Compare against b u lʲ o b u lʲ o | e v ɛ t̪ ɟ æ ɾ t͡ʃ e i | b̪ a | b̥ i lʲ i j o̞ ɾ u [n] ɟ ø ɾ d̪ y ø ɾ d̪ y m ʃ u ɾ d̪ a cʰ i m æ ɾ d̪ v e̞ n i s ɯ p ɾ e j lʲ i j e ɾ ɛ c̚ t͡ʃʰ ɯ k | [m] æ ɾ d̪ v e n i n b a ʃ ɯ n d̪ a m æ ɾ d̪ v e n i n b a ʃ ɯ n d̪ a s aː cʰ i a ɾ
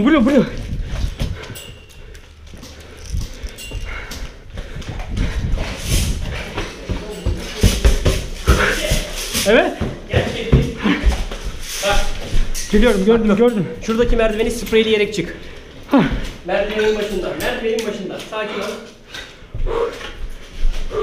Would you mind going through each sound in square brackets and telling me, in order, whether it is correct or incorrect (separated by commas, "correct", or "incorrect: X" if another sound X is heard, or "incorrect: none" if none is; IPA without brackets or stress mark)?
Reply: incorrect: m, correct